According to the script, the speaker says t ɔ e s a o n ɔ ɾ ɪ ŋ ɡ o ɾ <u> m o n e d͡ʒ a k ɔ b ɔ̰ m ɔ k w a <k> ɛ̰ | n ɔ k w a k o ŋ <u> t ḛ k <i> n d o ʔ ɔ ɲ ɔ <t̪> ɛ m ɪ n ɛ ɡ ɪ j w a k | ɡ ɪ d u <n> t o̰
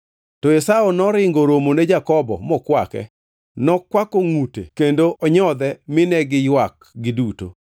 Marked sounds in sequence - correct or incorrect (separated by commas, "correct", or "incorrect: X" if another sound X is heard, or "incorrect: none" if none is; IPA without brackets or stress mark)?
incorrect: o, correct, correct, incorrect: e, incorrect: d̪, incorrect: none